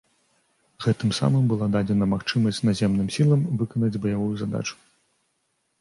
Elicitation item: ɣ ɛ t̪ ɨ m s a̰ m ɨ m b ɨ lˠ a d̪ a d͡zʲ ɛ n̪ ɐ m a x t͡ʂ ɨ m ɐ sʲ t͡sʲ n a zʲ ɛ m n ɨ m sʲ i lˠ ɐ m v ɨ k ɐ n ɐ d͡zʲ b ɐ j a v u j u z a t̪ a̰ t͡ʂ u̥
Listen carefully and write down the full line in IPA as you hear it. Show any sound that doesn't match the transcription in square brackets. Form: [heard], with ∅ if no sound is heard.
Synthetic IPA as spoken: ɣ ɛ t̪ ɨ m s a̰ m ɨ m b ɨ lˠ a d̪ a d͡zʲ ɛ n̪ ɐ m a x t͡ʂ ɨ m ɐ sʲ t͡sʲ n a zʲ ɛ m n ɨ m sʲ i lˠ ɐ m v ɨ k ɐ n ɐ d͡zʲ b ɐ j a v u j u z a [d̪] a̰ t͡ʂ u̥